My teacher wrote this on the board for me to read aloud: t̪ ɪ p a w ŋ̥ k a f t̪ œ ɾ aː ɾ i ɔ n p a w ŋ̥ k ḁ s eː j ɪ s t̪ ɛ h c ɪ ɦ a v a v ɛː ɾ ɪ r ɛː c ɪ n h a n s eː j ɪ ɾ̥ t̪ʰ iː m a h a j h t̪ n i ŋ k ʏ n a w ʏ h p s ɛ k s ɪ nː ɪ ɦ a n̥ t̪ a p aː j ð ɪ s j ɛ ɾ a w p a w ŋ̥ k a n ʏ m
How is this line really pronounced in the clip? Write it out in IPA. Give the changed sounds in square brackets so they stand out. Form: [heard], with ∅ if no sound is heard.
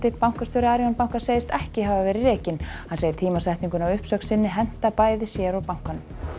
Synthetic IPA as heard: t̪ ɪ p a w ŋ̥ k a [s] t̪ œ ɾ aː ɾ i ɔ n p a w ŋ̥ k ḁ s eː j ɪ s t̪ ɛ h c ɪ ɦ a v a v ɛː ɾ ɪ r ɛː c ɪ n h a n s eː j ɪ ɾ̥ t̪ʰ iː m a [s] a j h t̪ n i ŋ k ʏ n a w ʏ h p s [œ] k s ɪ nː ɪ ɦ [ɛ] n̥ t̪ a p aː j ð ɪ s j ɛ ɾ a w p a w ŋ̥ k a n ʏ m

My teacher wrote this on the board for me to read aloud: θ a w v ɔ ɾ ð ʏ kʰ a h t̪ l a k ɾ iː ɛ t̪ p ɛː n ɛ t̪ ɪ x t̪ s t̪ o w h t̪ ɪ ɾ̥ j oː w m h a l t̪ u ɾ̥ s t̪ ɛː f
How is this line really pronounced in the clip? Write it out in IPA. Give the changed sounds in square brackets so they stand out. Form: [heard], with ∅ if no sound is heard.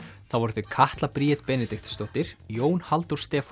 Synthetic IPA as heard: θ a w v ɔ ɾ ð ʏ kʰ a h t̪ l a [p] ɾ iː ɛ t̪ p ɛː n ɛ t̪ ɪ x t̪ s t̪ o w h t̪ ɪ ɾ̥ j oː w [n] h a l t̪ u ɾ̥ s t̪ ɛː f

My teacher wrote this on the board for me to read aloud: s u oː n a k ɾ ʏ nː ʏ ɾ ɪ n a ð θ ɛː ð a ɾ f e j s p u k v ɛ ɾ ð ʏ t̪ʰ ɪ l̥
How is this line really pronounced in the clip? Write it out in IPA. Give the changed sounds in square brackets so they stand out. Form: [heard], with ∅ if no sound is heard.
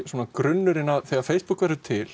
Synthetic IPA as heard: s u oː n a k ɾ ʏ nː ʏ ɾ ɪ n a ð θ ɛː [ɣ] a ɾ f e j s p u k v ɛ ɾ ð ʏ t̪ʰ ɪ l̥

